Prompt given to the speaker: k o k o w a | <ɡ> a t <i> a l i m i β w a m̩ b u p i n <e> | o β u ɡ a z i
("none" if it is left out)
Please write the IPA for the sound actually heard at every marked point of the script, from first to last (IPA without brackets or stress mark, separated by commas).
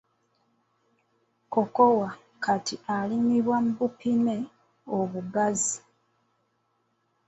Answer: k, i, e